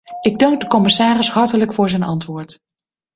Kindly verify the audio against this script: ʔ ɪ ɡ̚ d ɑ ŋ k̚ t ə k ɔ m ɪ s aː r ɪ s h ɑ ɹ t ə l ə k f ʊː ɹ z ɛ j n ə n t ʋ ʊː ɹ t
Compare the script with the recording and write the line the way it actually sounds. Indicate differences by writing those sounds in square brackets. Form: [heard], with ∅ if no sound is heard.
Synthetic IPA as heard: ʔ ɪ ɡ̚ d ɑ ŋ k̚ [d] ə k ɔ m ɪ s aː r ɪ s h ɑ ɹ t ə l ə k f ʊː ɹ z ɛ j n [ɑ] n t ʋ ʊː ɹ t

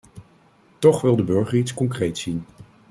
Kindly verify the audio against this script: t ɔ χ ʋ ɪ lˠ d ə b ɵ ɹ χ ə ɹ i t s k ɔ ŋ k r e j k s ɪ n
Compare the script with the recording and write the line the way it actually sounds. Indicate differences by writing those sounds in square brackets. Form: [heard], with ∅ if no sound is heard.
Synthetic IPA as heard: t ɔ χ ʋ ɪ lˠ d ə b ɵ ɹ χ ə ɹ i t s k ɔ ŋ k r e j [t] s [i] n

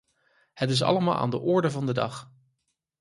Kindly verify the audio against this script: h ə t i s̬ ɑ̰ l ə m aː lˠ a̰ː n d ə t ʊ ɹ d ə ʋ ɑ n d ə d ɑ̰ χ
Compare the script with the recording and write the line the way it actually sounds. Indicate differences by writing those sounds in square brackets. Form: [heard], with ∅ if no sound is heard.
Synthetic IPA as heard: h ə t [ɪ] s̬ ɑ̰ l ə m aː lˠ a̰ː n d ə [ʔ] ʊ ɹ d ə [v] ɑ n d ə d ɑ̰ χ

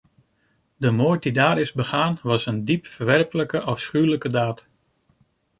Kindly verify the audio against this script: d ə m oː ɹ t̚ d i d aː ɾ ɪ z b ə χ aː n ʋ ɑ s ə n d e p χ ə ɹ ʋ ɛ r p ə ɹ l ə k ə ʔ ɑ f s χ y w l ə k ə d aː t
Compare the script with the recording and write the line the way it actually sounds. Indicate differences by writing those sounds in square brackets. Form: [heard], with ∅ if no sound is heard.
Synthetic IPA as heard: d ə m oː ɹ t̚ d i d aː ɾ ɪ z b ə χ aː n ʋ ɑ s ə n d [i] p [f] ə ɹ ʋ ɛ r p ə [∅] l ə k ə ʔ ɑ f s χ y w l ə k ə d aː t

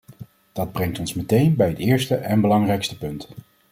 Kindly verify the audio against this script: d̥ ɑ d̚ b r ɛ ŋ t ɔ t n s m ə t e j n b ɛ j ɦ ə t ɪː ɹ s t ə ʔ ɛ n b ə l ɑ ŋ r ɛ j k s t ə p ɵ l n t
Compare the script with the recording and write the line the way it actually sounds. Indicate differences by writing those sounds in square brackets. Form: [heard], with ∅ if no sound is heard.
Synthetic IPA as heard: d̥ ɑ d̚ b r ɛ ŋ t ɔ [∅] n s m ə t e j n b ɛ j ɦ ə t ɪː ɹ s t ə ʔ ɛ n b ə l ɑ ŋ r ɛ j k s t ə p ɵ [∅] n t

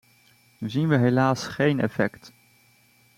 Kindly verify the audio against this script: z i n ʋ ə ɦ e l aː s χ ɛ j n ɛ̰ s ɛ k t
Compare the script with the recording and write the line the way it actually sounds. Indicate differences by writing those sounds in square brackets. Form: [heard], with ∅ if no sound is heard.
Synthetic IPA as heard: z i n ʋ ə ɦ e l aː s χ [e] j n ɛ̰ [f] ɛ k t

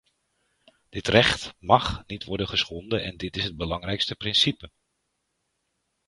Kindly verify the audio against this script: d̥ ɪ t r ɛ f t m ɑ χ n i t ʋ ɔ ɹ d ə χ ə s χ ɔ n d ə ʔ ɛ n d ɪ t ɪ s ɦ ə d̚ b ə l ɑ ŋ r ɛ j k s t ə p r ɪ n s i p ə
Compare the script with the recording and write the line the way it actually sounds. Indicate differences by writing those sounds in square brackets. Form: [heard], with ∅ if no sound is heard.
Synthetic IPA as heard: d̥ ɪ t r ɛ [χ] t m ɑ χ n i t ʋ ɔ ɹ d ə χ ə s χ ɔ n d ə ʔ ɛ n d ɪ t ɪ s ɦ ə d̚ b ə l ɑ ŋ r ɛ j k s t ə p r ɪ n s i p ə

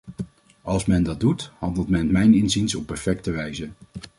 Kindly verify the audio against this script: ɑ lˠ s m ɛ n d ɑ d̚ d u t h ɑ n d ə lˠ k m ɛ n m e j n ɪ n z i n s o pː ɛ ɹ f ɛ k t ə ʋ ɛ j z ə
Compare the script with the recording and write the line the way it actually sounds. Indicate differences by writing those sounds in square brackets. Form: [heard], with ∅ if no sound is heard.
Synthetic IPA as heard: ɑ lˠ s m ɛ n d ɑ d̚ d u t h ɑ n d ə lˠ [t] m ɛ n m [ɛ] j n ɪ n z i n s [ɔ] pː ɛ ɹ f ɛ k t ə ʋ ɛ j z ə

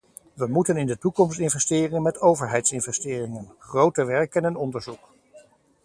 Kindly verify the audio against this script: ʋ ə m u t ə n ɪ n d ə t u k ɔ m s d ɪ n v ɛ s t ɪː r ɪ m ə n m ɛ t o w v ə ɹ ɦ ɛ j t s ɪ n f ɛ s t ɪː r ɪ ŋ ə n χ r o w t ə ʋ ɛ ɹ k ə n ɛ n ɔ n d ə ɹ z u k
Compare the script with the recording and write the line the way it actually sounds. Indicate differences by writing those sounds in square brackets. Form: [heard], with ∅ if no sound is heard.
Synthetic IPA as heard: ʋ ə m u t ə n ɪ n d ə t u k ɔ m s [t] ɪ n v ɛ s t ɪː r ɪ [ŋ] ə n m ɛ t o w v ə ɹ ɦ ɛ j t s ɪ n [v] ɛ s t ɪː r ɪ ŋ ə n χ r o w t ə ʋ ɛ ɹ k ə n ɛ n ɔ n d ə ɹ z u k

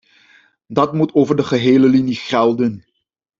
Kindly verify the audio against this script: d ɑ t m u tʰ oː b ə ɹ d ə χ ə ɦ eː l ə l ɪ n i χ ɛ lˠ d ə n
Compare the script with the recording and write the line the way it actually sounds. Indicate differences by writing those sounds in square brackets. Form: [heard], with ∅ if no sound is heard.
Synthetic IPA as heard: d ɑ t m u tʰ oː [v] ə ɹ d ə χ ə ɦ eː l ə l [i] n i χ ɛ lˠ d ə n

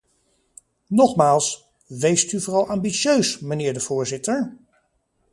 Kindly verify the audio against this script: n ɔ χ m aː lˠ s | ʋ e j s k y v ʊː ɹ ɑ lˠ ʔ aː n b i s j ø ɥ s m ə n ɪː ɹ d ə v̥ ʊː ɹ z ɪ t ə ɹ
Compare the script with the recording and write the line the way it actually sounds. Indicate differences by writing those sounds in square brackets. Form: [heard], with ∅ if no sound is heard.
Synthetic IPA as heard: n ɔ χ m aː lˠ s | ʋ e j s [t] y v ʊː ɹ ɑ lˠ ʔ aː [m] b i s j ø ɥ s m ə n ɪː ɹ d ə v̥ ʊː ɹ z ɪ t ə ɹ

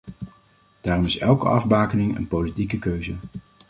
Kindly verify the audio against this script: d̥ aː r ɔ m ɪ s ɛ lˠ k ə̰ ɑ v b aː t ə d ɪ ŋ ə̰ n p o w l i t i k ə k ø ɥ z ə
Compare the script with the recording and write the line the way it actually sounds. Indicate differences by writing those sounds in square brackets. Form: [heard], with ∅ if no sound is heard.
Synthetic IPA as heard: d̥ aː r ɔ m ɪ s ɛ lˠ k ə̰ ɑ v b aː [k] ə [n] ɪ ŋ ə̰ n p o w l i t i k ə k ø ɥ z ə

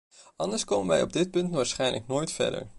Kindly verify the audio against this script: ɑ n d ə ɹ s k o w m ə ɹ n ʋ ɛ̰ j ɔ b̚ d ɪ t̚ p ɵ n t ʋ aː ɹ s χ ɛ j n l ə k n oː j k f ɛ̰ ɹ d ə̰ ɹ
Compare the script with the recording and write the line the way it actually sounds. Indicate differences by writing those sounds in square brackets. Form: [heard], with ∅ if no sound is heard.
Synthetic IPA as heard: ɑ n d ə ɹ s k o w m ə [∅] n ʋ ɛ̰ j ɔ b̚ d ɪ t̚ p ɵ n t ʋ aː ɹ s χ ɛ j n l ə k n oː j [t] f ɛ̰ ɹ d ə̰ ɹ

